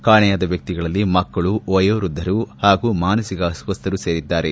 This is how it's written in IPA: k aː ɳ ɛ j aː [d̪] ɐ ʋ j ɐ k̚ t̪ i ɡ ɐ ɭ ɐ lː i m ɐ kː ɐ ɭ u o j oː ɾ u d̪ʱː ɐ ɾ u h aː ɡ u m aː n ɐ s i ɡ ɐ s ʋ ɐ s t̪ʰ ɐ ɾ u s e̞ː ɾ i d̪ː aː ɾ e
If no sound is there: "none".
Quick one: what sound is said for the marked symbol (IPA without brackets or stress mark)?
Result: d̪